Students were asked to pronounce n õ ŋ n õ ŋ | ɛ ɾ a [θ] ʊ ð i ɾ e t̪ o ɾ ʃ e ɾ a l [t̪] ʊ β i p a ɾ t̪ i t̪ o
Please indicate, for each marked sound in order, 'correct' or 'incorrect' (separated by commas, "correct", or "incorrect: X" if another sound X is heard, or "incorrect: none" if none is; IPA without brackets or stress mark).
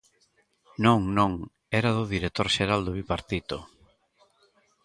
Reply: incorrect: ð, incorrect: d̪